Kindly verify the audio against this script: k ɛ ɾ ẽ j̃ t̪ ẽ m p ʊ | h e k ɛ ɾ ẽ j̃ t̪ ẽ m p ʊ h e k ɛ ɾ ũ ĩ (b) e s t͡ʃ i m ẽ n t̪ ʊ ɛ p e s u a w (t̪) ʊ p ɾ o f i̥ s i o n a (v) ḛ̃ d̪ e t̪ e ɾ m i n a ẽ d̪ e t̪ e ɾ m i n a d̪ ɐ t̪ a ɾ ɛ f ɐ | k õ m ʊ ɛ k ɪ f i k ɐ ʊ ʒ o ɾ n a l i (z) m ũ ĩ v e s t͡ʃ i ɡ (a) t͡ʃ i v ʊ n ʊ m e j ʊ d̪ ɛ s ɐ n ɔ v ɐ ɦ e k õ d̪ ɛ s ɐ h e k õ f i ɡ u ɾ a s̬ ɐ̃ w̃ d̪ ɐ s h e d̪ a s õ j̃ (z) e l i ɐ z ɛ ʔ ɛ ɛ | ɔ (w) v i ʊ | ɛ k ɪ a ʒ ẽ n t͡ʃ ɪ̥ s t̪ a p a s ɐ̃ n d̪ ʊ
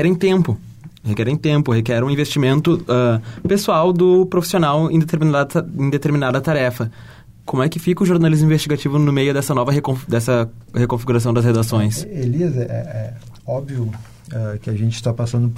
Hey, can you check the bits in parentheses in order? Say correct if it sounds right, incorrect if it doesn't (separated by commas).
incorrect, incorrect, incorrect, correct, correct, incorrect, incorrect